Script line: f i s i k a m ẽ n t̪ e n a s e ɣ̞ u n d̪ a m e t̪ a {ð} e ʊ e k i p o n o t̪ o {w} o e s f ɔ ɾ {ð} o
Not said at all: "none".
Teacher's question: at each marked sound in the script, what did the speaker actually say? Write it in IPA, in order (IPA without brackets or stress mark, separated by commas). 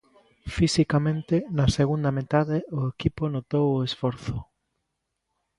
ð, w, θ